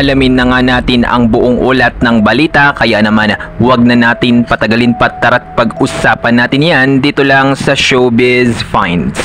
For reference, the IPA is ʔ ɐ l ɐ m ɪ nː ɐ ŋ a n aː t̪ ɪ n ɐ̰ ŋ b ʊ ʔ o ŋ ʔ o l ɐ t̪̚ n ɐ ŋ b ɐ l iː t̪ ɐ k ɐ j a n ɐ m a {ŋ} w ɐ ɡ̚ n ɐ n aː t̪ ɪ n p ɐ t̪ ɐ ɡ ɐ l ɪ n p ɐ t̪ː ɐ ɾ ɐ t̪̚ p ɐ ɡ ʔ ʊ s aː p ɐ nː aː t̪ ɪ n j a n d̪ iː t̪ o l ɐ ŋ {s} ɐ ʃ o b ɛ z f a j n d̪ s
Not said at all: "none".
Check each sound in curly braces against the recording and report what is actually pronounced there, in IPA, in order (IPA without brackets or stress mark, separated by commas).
n, s